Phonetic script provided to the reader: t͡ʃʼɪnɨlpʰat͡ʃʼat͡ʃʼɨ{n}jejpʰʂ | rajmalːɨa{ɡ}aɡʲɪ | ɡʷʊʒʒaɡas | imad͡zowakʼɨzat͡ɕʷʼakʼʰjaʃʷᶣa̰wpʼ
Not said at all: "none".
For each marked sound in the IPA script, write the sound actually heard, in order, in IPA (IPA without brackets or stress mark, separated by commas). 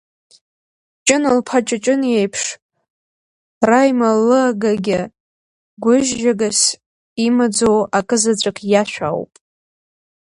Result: n, ɡ